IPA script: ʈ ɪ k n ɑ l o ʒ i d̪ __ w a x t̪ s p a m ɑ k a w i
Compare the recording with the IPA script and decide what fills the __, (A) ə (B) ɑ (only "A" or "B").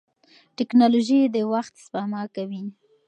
A